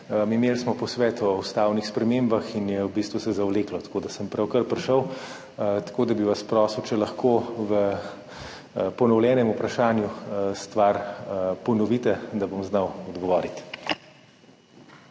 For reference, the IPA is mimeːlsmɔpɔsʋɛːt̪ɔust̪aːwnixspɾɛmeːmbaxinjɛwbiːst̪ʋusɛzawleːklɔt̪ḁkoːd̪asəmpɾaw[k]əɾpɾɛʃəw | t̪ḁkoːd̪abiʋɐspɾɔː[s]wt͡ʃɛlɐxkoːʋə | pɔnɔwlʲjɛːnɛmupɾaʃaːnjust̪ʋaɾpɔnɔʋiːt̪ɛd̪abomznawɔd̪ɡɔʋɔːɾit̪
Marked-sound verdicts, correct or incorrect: correct, correct

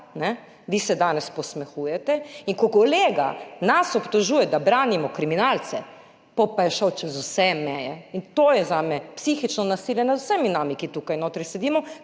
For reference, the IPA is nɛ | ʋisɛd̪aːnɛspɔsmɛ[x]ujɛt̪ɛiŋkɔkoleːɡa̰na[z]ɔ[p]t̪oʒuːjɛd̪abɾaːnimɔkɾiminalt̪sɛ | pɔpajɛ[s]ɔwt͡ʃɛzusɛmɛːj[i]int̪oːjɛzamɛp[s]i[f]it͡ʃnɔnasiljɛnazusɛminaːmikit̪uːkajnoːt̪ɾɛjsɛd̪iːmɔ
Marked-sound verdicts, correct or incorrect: correct, incorrect, correct, incorrect, incorrect, correct, incorrect

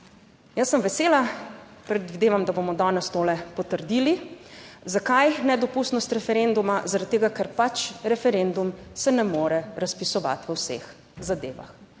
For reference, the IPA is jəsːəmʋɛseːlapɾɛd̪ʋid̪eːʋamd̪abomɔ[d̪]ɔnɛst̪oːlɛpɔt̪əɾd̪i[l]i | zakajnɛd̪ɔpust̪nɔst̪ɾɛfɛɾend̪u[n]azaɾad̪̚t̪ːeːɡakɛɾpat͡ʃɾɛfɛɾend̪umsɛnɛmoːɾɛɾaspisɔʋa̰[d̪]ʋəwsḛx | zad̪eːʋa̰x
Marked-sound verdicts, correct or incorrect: correct, correct, incorrect, incorrect

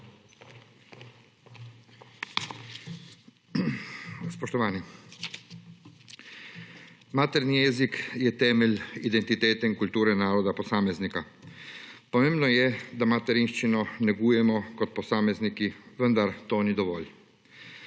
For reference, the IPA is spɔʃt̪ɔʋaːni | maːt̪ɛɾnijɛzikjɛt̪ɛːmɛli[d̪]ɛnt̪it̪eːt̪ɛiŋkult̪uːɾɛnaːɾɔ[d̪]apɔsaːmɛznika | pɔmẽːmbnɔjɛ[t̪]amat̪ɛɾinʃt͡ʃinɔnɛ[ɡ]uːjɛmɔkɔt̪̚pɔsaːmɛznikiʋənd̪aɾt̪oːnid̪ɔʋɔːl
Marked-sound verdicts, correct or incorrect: correct, correct, incorrect, correct

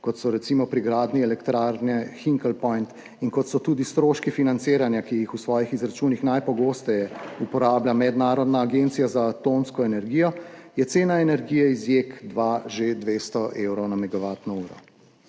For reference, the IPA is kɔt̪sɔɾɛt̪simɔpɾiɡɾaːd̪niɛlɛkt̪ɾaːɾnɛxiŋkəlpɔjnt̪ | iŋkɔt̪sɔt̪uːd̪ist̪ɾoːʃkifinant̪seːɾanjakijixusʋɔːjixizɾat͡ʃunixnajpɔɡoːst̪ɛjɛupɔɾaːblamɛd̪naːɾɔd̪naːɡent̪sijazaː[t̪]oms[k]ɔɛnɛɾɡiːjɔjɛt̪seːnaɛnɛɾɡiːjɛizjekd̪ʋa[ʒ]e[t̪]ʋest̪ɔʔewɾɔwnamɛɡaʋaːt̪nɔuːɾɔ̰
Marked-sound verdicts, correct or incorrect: correct, correct, correct, incorrect

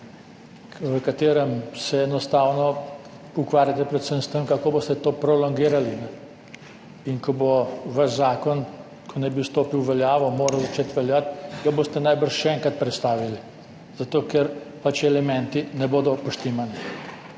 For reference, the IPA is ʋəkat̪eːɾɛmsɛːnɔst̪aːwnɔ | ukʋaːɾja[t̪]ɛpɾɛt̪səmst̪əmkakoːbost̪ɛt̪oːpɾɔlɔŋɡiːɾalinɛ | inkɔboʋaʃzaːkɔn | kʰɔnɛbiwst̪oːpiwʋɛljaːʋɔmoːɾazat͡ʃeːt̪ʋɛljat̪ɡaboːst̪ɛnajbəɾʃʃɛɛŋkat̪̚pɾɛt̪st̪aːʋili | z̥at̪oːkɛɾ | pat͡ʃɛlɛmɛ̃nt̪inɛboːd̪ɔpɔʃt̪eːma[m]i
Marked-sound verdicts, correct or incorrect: correct, incorrect

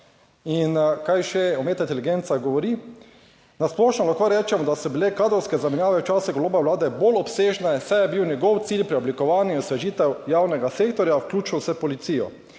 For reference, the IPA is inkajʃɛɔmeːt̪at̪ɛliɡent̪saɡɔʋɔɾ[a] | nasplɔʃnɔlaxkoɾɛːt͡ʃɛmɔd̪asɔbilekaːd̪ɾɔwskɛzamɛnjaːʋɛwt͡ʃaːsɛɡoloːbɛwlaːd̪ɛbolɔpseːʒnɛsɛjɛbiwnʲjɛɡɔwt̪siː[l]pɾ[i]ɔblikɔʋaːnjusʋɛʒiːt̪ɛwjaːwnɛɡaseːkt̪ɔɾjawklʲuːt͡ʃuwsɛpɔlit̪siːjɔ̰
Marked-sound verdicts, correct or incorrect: incorrect, correct, correct

